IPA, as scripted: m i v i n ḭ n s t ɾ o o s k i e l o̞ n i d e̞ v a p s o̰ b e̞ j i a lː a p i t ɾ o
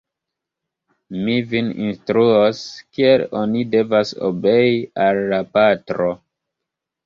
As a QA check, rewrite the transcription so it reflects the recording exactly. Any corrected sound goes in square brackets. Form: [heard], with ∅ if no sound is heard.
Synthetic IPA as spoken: m i v i n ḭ n s t ɾ [u] o s k i e l o̞ n i d e̞ v a [∅] s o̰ b e̞ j i a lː a p [a] t ɾ o

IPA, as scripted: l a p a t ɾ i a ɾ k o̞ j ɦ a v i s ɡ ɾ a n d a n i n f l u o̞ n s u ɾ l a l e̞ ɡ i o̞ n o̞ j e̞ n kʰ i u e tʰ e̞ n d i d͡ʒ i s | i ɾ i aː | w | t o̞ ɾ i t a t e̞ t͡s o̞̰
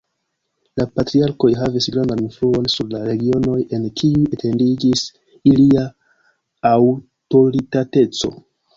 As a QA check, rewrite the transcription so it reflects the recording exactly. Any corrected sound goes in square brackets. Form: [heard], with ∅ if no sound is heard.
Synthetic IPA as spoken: l a p a t ɾ i a ɾ k o̞ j ɦ a v i s ɡ ɾ a n d a n i n f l u o̞ n s u ɾ l a [ɾ] e̞ ɡ i o̞ n o̞ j e̞ n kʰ i u e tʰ e̞ n d i d͡ʒ i s | i [l] i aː | w | t o̞ ɾ i t a t e̞ t͡s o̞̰

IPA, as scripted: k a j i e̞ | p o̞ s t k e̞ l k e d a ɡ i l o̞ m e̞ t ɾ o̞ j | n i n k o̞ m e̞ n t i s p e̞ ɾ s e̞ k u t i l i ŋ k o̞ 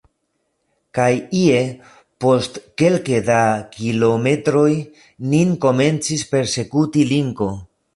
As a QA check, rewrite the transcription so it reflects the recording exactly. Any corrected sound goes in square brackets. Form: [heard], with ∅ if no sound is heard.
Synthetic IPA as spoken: k a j i e̞ | p o̞ s t k e̞ l k e d a [k] i l o̞ m e̞ t ɾ o̞ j | n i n k o̞ m e̞ n [t͡s] i s p e̞ ɾ s e̞ k u t i l i ŋ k o̞

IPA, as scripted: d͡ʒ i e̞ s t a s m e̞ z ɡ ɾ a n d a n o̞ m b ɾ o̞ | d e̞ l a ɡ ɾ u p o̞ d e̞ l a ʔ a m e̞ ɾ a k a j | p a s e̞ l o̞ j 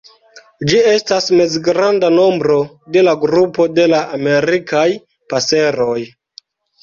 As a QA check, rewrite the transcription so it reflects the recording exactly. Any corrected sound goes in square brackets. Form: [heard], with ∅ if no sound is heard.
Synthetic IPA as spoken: d͡ʒ i e̞ s t a s m e̞ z ɡ ɾ a n d a n o̞ m b ɾ o̞ | d e̞ l a ɡ ɾ u p o̞ d e̞ l a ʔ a m e̞ ɾ [i] k a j | p a s e̞ [ɾ] o̞ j

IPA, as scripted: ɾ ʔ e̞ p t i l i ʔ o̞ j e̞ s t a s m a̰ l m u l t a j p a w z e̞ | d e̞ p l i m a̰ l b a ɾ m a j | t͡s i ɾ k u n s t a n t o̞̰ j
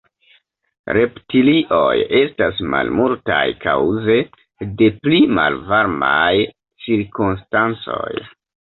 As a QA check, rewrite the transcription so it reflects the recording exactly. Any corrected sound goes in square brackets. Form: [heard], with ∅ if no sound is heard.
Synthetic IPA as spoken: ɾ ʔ e̞ p t i l i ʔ o̞ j e̞ s t a s m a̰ l m u l t a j [k] a w z e̞ | d e̞ p l i m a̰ l [v] a ɾ m a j | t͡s i ɾ k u n s t a n [t͡s] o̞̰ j

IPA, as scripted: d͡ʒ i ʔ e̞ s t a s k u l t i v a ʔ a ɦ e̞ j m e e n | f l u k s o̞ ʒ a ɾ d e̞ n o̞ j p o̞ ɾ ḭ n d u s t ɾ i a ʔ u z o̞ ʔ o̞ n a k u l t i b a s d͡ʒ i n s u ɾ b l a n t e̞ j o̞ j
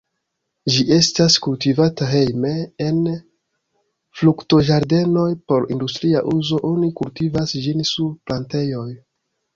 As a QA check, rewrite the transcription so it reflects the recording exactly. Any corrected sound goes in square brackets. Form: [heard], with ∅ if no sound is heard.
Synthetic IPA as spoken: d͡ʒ i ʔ e̞ s t a s k u l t i v a [t] a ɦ e̞ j m e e n | f l u k [t] o̞ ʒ a ɾ d e̞ n o̞ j p o̞ ɾ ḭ n d u s t ɾ i a ʔ u z o̞ ʔ o̞ n [i] k u l t i [v] a s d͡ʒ i n s u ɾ [p] l a n t e̞ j o̞ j

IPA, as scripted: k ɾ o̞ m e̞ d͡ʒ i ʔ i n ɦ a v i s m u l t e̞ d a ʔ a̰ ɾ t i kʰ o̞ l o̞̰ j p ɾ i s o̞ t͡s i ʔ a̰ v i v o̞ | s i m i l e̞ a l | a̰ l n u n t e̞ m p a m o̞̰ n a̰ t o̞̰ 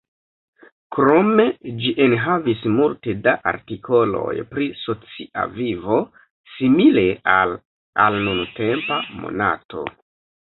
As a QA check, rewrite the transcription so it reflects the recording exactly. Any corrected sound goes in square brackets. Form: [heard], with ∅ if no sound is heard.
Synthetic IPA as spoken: k ɾ o̞ m e̞ d͡ʒ i ʔ [e] n ɦ a v i s m u l t e̞ d a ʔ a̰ ɾ t i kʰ o̞ l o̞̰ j p ɾ i s o̞ t͡s i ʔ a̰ v i v o̞ | s i m i l e̞ a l | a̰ l n u n t e̞ m p a m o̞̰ n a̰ t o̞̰

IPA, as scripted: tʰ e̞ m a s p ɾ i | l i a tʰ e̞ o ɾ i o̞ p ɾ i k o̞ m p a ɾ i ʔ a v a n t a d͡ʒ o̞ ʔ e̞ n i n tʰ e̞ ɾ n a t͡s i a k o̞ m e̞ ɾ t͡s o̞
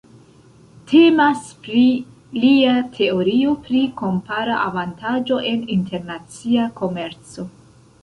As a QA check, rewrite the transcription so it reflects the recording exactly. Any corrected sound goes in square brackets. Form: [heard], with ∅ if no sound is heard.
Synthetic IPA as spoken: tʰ e̞ m a s p ɾ i | l i a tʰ e̞ o ɾ i o̞ p ɾ i k o̞ m p a ɾ [a] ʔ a v a n t a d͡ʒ o̞ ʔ e̞ n i n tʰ e̞ ɾ n a t͡s i a k o̞ m e̞ ɾ t͡s o̞

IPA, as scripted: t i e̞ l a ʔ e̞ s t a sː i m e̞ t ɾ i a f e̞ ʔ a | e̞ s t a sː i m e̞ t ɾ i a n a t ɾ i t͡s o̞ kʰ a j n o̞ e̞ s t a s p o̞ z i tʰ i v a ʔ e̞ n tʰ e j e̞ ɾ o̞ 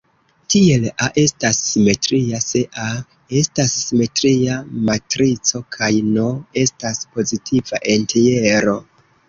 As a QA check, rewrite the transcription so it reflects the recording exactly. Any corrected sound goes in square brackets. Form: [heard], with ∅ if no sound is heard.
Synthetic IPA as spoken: t i e̞ l a ʔ e̞ s t a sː i m e̞ t ɾ i a [s] e̞ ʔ a | e̞ s t a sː i m e̞ t ɾ i a [m] a t ɾ i t͡s o̞ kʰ a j n o̞ e̞ s t a s p o̞ z i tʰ i v a ʔ e̞ n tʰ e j e̞ ɾ o̞

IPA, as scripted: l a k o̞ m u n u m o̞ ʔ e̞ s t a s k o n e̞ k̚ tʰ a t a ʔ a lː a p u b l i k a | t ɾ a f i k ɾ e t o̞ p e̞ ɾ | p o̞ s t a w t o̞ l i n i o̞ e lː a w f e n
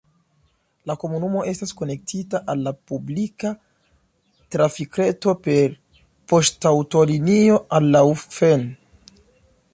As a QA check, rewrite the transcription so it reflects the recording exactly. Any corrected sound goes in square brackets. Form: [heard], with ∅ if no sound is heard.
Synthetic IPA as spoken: l a k o̞ m u n u m o̞ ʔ e̞ s t a s k o n e̞ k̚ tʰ [i] t a ʔ a lː a p u b l i k a | t ɾ a f i k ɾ e t o̞ p e̞ ɾ | p o̞ s t a w t o̞ l i n i o̞ [a] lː a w f e n

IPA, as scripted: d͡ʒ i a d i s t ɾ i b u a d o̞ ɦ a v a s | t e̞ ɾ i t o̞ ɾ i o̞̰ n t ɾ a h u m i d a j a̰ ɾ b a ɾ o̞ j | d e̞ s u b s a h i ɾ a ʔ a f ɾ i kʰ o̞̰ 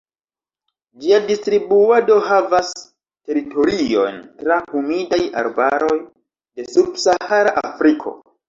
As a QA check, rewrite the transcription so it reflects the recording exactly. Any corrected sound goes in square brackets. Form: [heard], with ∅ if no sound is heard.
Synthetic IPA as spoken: d͡ʒ i a d i s t ɾ i b u a d o̞ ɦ a v a s | t e̞ ɾ i t o̞ ɾ i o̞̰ n t ɾ a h u m i d a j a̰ ɾ b a ɾ o̞ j | d e̞ s u b s a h [a] ɾ a ʔ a f ɾ i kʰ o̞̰

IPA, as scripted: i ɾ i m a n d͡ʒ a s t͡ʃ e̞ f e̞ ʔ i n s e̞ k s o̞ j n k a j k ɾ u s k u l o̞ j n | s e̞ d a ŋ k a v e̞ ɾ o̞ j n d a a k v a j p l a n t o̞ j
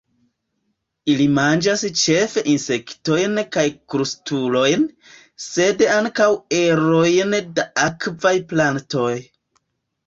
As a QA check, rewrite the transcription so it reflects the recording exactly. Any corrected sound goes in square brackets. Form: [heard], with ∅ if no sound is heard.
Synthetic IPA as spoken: i [l] i m a n d͡ʒ a s t͡ʃ e̞ f e̞ ʔ i n s e̞ k [t] o̞ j n k a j k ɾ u s [t] u l o̞ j n | s e̞ d a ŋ k a [w] e̞ ɾ o̞ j n d a a k v a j p l a n t o̞ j

